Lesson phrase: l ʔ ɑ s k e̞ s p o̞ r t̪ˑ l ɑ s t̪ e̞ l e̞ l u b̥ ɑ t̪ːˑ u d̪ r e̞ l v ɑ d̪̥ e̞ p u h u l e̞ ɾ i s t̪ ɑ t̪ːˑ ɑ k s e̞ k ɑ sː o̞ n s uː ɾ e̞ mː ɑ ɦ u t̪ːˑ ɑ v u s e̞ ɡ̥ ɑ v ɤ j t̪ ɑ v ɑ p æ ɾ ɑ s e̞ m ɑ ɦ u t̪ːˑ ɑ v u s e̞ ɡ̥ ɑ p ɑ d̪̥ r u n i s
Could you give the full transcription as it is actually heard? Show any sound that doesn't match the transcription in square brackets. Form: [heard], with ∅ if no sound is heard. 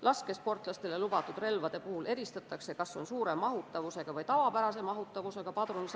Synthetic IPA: l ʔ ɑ s k e̞ s p o̞ r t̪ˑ l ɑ s t̪ e̞ l e̞ l u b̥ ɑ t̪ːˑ u d̪ r e̞ l v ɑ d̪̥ e̞ p u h u l e̞ ɾ i s t̪ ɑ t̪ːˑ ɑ k s e̞ k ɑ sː o̞ n s uː ɾ e̞ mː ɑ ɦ u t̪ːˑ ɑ v u s e̞ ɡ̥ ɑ v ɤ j t̪ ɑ v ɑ p æ ɾ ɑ s e̞ m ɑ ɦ u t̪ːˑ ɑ v u s e̞ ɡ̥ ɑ p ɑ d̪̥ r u n i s

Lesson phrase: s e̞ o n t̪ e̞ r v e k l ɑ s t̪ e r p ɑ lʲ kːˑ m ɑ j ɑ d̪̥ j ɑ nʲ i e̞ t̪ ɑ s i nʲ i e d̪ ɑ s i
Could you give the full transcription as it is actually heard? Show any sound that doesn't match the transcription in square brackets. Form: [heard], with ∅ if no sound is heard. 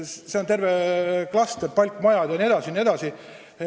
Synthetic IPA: s e̞ o n t̪ e̞ r v e k l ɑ s t̪ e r p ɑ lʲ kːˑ m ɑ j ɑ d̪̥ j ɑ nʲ i e̞ [d̪] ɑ s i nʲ i e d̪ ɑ s i

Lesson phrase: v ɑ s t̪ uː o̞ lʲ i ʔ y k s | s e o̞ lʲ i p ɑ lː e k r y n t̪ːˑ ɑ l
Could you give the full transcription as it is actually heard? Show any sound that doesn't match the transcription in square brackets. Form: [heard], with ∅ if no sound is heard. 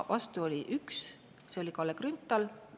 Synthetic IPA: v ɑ s t̪ [u] o̞ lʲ i ʔ y k s | s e o̞ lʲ i [k] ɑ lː e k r y n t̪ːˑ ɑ l

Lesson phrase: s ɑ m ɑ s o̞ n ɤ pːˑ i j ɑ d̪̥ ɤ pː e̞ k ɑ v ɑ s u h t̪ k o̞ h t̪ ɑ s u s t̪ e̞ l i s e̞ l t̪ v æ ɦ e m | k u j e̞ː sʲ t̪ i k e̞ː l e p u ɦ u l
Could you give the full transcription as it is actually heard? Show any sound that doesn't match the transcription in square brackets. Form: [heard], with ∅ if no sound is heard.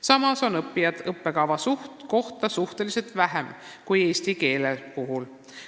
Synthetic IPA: s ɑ m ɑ s o̞ n ɤ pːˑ i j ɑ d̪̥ ɤ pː e̞ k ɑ v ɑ s u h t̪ k o̞ h t̪ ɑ s u [h] t̪ e̞ l i s e̞ l t̪ v æ ɦ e m | k u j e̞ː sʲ t̪ i k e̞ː l e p u ɦ u l

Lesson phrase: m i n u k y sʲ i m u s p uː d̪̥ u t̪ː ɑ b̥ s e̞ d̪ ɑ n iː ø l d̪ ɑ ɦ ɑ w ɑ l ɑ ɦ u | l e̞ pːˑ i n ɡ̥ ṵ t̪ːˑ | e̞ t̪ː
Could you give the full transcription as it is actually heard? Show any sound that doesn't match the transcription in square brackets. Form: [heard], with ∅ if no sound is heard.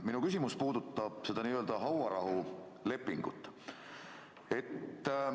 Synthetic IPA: m i n u k y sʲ i m u s p uː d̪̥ u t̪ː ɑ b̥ s e̞ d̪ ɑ n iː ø l d̪ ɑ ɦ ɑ w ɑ [ɾ] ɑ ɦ u | l e̞ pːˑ i [ŋ] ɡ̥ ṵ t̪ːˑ | e̞ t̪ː

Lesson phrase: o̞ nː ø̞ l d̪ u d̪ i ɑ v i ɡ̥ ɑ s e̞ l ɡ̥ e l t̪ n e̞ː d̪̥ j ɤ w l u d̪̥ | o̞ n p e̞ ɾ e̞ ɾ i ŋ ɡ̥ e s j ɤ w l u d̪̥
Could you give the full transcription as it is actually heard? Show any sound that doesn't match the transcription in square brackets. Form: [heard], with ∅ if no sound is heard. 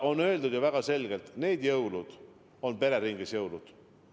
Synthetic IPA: o̞ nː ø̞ l d̪ u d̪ [j] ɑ v [æ] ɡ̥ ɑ s e̞ l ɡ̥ e l t̪ n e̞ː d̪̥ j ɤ w l u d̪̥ | o̞ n p e̞ ɾ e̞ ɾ i ŋ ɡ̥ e s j ɤ w l u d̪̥

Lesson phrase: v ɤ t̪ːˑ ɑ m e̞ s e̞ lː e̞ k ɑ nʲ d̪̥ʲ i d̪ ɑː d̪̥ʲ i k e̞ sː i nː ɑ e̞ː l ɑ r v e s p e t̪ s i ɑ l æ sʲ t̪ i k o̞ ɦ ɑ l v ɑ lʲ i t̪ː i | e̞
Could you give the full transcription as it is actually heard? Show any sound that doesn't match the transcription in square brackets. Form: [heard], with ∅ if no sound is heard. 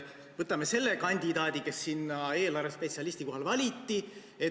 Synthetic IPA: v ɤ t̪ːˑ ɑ m e̞ s e̞ lː e̞ k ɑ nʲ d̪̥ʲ i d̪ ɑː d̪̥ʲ i k e̞ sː i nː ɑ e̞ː l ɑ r v e s p e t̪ s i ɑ l [i] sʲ t̪ i k o̞ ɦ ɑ l v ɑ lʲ i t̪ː i | e̞

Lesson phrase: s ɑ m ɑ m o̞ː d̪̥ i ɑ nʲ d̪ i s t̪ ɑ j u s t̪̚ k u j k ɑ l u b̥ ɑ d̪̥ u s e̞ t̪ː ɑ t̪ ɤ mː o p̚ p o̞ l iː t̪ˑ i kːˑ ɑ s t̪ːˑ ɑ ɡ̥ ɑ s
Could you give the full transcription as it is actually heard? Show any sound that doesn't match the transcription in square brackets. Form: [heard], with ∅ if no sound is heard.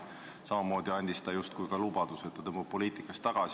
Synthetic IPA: s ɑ m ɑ m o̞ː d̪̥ i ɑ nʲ d̪ i s t̪ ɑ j u s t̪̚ k u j k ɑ l u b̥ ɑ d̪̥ u s e̞ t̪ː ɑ t̪ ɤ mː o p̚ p o̞ l iː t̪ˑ i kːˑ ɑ s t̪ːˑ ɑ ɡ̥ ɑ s

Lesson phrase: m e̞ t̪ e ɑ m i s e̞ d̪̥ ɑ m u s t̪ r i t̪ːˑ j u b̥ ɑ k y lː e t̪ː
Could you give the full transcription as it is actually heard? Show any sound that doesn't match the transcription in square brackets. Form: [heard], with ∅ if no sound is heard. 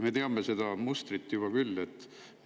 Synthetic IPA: m e̞ t̪ e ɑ m [e] s e̞ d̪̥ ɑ m u s t̪ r i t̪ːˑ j u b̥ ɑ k y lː e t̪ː

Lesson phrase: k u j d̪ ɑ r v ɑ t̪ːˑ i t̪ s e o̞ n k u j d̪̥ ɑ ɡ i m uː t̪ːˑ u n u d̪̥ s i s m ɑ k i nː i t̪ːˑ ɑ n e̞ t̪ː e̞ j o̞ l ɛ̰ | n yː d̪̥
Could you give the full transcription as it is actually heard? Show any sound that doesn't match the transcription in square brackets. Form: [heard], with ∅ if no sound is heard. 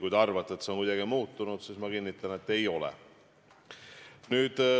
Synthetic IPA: k u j d̪ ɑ r v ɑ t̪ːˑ [e] t̪ s e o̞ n k u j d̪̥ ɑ ɡ i m uː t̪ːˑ u n u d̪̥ s i s m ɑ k i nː i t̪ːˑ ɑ n e̞ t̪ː e̞ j o̞ l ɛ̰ | n yː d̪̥

